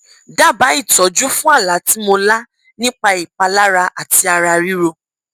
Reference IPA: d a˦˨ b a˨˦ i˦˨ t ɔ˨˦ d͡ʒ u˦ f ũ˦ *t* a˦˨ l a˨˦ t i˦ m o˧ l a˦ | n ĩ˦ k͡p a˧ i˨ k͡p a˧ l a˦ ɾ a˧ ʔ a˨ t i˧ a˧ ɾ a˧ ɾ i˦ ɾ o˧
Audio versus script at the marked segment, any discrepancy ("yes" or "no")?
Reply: yes